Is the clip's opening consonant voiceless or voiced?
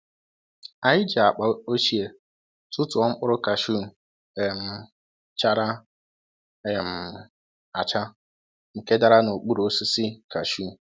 voiced